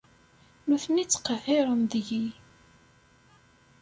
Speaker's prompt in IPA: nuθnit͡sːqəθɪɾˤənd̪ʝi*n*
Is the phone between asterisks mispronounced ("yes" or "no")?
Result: yes